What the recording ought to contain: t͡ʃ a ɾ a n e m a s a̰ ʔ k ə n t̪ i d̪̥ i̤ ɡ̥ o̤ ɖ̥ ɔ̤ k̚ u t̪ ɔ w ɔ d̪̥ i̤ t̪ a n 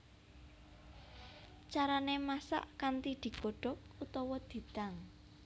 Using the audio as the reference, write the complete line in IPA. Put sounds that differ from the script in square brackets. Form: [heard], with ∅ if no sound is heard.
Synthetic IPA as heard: t͡ʃ a ɾ a n e m a s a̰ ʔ k [a] n t̪ i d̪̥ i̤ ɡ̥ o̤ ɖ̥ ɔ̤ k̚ u t̪ ɔ w ɔ d̪̥ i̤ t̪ a [ŋ]